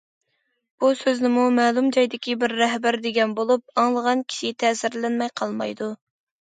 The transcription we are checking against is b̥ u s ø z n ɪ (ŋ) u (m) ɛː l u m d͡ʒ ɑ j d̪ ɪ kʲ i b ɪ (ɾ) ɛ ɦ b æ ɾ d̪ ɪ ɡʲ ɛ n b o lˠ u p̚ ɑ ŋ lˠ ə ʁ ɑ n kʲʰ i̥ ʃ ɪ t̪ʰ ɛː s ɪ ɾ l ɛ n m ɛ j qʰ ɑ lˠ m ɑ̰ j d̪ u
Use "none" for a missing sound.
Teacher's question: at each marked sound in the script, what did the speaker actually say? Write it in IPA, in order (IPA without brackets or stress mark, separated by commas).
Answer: m, m, ɾː